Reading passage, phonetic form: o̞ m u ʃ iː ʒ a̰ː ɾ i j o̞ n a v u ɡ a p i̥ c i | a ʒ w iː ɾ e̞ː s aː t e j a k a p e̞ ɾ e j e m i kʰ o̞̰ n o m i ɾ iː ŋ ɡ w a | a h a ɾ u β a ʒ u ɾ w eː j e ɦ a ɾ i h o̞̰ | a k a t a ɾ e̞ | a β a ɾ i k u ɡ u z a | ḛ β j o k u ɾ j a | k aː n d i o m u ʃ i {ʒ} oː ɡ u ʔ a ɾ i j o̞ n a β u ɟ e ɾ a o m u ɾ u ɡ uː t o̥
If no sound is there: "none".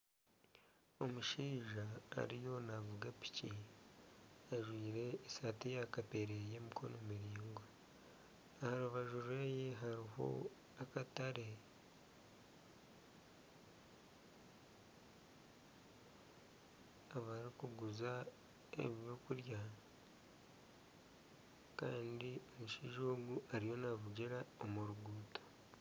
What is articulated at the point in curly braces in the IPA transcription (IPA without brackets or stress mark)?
ʒ